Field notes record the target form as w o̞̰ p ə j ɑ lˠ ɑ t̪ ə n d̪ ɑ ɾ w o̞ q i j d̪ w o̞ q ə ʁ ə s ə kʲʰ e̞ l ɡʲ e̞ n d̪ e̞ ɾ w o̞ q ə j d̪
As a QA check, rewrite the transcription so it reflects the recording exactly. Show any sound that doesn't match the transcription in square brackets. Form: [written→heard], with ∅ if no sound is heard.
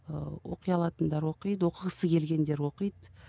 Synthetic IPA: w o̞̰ [p→q] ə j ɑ lˠ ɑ t̪ ə n d̪ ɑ ɾ w o̞ q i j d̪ w o̞ q ə ʁ ə s ə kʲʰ e̞ l ɡʲ e̞ n d̪ e̞ ɾ w o̞ q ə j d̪